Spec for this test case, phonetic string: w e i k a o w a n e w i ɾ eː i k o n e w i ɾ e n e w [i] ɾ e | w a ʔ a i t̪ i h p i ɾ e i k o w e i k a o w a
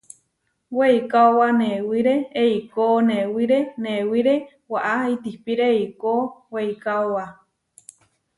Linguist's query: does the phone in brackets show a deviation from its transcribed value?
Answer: no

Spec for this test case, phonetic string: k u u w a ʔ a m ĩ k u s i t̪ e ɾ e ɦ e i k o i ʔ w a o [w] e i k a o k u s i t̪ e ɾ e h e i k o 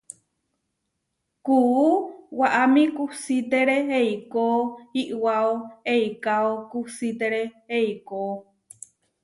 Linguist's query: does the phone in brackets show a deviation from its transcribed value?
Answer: yes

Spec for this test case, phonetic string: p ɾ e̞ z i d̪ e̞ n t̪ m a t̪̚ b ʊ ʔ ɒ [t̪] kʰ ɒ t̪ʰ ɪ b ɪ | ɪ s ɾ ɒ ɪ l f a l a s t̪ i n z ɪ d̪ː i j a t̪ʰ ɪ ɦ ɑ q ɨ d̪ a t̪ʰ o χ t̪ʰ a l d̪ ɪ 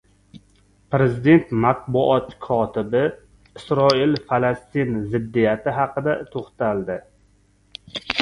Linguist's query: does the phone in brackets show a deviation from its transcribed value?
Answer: no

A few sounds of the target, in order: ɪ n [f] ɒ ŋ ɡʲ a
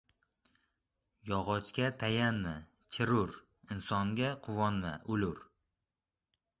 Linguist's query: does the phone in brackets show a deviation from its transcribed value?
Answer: yes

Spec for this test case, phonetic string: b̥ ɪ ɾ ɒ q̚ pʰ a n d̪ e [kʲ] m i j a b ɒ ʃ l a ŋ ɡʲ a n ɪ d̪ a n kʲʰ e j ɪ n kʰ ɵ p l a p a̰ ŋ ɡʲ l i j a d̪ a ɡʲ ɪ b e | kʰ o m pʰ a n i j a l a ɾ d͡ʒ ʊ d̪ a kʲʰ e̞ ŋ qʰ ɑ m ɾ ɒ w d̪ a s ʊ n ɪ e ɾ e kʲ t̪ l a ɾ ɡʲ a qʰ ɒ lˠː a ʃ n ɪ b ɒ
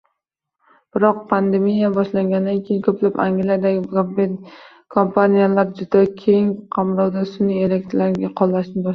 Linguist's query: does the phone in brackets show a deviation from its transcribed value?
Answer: yes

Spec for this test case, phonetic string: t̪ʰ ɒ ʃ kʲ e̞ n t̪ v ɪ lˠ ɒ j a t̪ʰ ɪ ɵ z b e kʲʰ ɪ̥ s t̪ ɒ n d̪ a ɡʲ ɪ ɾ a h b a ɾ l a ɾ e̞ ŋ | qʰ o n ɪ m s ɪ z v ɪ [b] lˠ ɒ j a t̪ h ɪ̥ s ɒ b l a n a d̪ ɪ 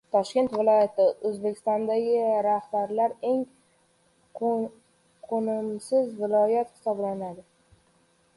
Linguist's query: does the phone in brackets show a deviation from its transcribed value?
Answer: yes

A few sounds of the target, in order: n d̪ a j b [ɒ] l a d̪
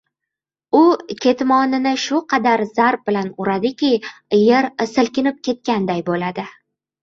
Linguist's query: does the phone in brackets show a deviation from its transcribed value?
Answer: yes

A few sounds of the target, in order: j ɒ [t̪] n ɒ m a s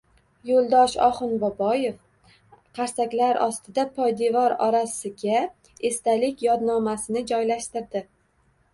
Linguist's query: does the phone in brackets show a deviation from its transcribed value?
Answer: yes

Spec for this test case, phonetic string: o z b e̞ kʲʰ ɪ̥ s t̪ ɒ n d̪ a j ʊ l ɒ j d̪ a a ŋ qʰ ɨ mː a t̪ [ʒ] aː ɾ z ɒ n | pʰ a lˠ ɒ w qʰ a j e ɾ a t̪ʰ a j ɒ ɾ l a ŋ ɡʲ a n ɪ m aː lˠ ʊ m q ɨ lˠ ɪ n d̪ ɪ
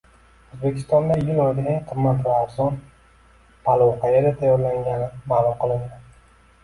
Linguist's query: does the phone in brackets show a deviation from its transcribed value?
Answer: yes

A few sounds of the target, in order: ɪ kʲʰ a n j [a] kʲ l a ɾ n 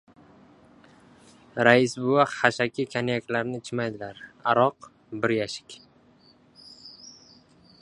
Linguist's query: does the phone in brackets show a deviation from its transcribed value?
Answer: no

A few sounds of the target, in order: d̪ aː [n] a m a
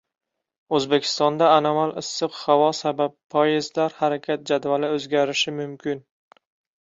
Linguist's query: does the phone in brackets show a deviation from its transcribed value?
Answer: no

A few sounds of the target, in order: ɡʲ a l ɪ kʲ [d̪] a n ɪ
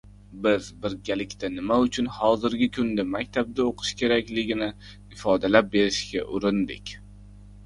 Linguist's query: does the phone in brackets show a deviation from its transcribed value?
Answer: yes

